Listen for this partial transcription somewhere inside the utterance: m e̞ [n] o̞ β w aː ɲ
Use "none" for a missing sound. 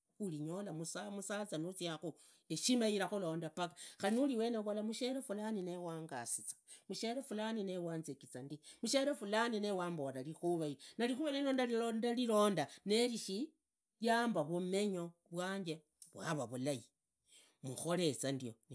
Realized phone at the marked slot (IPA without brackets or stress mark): ɲ